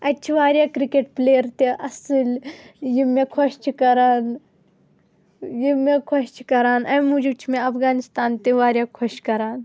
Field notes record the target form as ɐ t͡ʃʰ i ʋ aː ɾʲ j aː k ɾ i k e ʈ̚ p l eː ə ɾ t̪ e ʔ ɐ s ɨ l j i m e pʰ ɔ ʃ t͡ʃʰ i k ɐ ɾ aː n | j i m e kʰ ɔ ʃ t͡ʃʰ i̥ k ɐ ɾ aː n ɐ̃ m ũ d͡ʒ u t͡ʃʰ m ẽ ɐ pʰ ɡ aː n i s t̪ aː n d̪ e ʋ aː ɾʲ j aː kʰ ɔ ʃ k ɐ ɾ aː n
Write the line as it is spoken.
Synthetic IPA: ɐ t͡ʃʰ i ʋ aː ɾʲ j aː k ɾ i k e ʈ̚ p l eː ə ɾ t̪ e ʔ ɐ s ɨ l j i m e kʰ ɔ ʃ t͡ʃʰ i k ɐ ɾ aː n | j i m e kʰ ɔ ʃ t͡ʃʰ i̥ k ɐ ɾ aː n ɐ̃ m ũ d͡ʒ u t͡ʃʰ m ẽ ɐ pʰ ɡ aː n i s t̪ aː n t̪ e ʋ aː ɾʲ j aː kʰ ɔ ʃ k ɐ ɾ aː n